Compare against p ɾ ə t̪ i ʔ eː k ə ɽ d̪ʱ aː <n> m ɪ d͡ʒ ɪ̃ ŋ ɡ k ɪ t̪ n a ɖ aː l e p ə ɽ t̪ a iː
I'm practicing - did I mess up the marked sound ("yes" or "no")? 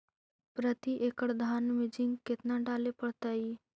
no